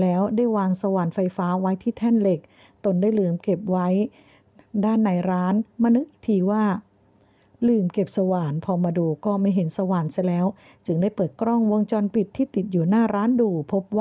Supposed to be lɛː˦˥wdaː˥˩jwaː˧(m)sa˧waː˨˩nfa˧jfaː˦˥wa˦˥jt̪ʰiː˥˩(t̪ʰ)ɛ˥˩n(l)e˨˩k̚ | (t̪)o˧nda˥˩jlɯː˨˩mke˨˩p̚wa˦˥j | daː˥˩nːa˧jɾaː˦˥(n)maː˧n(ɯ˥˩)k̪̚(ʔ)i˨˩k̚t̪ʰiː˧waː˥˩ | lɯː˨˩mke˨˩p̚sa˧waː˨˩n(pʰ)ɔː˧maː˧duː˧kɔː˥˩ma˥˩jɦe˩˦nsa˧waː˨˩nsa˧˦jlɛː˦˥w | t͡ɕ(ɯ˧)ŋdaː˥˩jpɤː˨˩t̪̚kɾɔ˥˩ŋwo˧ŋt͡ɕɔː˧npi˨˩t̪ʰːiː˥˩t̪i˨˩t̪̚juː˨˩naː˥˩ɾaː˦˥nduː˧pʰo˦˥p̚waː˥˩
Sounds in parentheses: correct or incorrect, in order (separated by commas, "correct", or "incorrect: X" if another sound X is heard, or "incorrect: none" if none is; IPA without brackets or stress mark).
incorrect: ŋ, correct, correct, correct, correct, incorrect: ɯ˦˥, correct, correct, correct